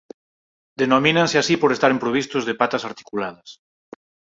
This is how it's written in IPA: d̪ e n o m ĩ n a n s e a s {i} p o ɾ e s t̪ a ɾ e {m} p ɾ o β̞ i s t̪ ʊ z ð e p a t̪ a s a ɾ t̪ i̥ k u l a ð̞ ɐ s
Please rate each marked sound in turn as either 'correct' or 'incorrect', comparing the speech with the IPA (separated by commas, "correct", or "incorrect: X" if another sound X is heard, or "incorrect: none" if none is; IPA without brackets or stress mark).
correct, correct